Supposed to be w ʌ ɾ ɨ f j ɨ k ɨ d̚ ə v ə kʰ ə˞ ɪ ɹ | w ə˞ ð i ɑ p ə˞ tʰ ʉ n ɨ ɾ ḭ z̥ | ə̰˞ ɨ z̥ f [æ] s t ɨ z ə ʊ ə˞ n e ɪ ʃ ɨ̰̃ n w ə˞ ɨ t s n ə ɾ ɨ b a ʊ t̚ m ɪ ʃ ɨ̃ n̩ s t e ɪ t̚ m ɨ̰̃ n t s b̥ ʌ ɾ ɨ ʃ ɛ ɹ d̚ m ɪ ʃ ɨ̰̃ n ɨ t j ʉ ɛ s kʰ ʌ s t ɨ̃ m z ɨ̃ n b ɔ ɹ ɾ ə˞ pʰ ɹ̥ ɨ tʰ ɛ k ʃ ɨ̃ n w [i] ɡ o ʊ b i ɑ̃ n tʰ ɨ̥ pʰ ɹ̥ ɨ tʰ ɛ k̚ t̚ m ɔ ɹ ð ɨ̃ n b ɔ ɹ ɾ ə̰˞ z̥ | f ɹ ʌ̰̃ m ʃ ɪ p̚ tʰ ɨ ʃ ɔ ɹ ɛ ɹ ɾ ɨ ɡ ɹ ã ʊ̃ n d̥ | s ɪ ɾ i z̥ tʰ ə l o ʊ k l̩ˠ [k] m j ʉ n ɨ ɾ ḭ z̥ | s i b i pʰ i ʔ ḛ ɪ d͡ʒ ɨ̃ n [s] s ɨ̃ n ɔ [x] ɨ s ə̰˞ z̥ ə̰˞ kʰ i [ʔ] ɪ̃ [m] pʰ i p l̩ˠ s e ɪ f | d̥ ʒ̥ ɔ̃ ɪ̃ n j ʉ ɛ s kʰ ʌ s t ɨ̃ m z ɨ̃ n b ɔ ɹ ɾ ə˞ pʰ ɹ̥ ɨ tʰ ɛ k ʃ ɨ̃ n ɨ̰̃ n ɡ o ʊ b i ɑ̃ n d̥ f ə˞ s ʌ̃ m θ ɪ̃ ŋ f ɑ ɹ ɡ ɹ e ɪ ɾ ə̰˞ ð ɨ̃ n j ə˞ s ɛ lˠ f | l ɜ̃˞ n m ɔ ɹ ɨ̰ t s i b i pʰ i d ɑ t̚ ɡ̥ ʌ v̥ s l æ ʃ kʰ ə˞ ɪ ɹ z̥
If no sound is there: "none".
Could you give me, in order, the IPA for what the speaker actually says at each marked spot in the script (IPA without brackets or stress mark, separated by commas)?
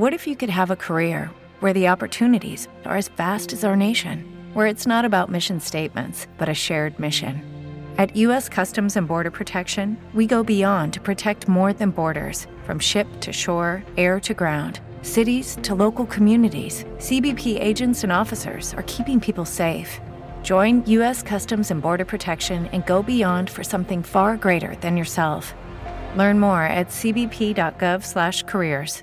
æ, i, kʰ, t, f, p, ŋ